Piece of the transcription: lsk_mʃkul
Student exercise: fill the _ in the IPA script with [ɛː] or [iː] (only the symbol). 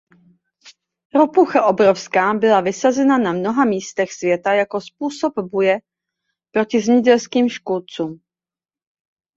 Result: iː